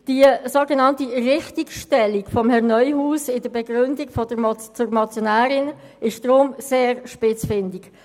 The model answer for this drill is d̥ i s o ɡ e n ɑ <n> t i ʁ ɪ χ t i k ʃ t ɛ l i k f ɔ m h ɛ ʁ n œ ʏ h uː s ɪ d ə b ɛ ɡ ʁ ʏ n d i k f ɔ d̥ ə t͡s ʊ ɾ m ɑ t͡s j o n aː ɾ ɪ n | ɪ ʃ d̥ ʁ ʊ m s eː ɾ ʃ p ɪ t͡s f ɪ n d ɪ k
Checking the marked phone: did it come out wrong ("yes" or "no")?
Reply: no